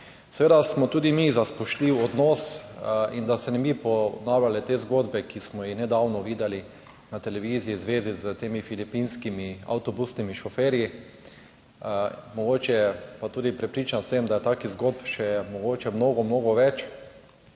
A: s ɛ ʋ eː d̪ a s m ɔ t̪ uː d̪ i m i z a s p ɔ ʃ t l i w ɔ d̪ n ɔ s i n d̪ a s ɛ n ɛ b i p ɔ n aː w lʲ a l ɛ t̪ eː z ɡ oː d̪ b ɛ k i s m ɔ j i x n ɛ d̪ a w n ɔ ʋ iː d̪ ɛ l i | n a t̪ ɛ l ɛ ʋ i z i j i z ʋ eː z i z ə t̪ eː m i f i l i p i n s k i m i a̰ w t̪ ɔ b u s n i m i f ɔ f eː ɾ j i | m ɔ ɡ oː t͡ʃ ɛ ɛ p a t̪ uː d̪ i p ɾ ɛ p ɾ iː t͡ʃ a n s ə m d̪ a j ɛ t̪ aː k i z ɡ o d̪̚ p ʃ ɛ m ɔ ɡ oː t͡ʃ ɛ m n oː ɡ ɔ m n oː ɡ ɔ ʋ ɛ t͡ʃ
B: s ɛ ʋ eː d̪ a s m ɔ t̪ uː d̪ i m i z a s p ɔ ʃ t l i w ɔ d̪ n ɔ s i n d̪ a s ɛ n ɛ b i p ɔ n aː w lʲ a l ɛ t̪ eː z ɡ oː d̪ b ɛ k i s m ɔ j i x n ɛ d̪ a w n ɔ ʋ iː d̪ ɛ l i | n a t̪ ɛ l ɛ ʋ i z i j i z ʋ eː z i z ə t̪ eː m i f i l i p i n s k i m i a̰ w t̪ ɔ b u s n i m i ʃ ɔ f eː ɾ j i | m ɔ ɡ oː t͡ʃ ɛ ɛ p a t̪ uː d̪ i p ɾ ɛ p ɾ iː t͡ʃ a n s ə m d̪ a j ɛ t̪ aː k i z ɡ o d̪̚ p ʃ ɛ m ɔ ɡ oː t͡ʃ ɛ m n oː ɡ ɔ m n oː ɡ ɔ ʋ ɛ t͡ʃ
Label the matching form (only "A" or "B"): B